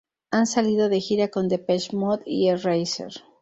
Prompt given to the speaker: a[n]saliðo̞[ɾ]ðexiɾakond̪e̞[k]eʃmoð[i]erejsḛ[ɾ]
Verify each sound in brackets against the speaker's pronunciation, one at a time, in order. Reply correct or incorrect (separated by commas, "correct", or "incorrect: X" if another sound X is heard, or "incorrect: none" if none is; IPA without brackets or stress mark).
correct, incorrect: none, incorrect: p, correct, correct